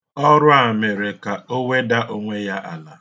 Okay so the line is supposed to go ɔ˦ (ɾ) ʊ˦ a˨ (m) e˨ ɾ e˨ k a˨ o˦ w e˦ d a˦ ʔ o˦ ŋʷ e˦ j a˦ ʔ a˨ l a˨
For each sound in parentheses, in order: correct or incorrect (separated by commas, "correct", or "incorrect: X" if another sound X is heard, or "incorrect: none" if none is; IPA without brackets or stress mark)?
correct, correct